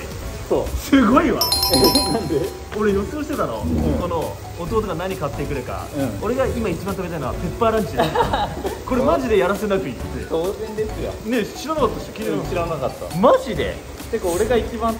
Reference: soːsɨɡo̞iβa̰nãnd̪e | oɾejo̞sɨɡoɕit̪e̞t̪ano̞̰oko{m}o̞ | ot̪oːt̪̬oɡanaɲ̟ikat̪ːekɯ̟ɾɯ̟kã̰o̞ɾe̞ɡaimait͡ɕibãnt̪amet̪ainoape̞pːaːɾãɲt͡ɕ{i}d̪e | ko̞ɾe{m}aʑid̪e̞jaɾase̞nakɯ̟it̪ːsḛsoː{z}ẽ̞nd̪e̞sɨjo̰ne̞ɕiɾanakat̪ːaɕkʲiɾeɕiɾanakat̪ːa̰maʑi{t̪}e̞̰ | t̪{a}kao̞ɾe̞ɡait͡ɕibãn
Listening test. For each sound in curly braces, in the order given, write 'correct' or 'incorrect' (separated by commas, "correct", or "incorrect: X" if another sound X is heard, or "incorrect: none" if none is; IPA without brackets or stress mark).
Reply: incorrect: n, correct, correct, correct, incorrect: d̪, incorrect: e